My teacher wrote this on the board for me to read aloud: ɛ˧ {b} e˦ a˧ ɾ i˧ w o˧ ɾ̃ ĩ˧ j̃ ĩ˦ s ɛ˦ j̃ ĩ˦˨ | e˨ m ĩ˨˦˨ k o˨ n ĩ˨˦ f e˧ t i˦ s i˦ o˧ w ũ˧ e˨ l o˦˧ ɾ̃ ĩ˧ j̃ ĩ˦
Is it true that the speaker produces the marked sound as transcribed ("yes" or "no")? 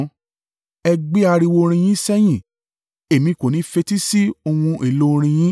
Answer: no